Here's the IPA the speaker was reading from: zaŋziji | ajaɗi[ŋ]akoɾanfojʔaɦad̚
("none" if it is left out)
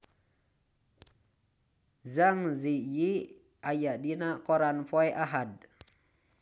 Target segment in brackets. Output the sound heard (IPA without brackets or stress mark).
n